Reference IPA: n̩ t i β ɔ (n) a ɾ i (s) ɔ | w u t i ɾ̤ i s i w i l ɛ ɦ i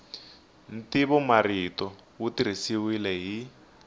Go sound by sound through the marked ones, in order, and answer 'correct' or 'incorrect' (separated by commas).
incorrect, incorrect